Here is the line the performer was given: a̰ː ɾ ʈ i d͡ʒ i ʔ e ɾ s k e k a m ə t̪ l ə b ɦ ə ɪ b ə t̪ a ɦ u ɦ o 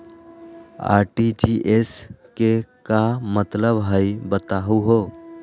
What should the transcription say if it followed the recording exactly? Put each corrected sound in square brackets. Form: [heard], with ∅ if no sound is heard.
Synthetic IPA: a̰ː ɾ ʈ i d͡ʒ i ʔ e [∅] s k e k a m ə t̪ l ə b ɦ ə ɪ b ə t̪ a ɦ u ɦ o